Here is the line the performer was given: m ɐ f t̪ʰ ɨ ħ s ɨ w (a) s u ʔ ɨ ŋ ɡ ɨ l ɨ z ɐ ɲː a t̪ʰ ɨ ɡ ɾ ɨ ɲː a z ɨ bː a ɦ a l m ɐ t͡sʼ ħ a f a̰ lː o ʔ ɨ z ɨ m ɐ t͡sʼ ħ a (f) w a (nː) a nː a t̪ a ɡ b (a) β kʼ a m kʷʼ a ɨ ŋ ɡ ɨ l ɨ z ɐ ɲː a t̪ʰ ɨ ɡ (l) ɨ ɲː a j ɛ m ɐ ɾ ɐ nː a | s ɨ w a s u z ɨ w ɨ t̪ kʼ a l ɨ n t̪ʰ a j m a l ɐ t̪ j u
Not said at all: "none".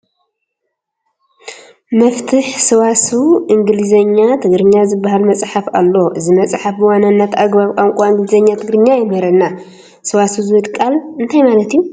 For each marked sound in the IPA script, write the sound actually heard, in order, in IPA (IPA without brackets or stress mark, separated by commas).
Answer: a, f, n, a, ɾ